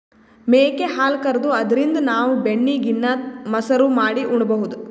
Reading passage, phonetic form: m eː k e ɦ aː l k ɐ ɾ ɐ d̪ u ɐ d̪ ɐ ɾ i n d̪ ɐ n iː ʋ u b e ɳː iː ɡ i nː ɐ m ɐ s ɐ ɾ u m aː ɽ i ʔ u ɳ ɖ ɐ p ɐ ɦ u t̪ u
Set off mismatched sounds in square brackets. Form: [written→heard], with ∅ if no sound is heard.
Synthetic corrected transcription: m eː k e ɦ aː l k ɐ ɾ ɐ d̪ u ɐ d̪ ɐ ɾ i n d̪ ɐ n [iː→aː] ʋ u b e ɳː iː ɡ i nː ɐ m ɐ s ɐ ɾ u m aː ɽ i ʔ u ɳ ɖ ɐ [p→b] ɐ ɦ u [t̪→d̪] u